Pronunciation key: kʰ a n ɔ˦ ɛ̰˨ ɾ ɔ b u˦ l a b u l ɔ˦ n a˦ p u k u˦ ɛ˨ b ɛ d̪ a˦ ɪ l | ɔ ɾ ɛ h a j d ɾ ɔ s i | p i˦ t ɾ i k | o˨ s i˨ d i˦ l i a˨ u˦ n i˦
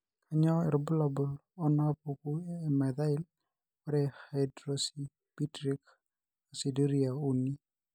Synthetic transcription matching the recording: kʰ a ɲ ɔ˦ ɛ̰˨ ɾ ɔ b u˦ l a b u l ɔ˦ n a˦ p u k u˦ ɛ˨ m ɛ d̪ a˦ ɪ l | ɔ ɾ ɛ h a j d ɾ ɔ s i | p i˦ t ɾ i k | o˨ s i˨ d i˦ ɾ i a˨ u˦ n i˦